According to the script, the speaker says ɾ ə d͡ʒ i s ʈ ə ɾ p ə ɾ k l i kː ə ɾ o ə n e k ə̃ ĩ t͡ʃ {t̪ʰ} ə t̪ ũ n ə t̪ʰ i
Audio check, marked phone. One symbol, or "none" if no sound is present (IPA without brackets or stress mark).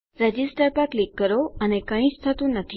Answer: t̪ʰ